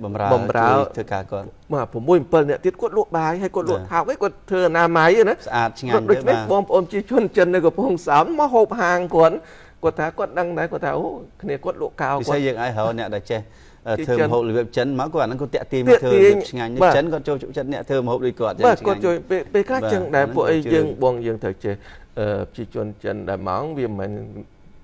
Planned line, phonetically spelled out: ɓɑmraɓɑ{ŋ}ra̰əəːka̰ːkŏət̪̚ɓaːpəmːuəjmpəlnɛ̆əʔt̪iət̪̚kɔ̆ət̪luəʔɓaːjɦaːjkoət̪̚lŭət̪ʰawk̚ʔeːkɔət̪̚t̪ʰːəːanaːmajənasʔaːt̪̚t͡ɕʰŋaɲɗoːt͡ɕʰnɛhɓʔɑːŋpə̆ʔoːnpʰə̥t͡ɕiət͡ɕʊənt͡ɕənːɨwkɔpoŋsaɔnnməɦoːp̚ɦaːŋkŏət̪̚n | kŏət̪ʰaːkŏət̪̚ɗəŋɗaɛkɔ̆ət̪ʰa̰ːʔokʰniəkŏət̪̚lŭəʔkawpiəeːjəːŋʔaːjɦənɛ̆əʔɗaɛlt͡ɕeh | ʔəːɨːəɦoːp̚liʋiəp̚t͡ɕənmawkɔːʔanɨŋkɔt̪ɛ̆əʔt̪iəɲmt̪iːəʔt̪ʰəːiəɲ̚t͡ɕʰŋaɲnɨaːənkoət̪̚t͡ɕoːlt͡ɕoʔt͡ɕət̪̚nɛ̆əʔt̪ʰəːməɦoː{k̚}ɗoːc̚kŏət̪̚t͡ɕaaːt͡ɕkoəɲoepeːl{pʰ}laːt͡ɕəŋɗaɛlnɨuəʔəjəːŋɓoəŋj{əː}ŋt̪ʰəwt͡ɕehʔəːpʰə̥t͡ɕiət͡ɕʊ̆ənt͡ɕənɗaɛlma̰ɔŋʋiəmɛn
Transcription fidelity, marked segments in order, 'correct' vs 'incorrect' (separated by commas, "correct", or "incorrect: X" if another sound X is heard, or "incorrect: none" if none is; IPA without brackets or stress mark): incorrect: m, incorrect: p̚, incorrect: kʰ, correct